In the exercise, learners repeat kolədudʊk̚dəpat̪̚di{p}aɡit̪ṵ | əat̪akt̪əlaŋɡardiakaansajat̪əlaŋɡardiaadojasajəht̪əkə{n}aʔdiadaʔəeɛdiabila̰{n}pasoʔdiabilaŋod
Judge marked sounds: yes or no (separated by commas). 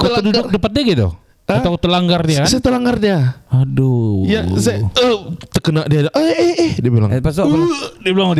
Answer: no, yes, no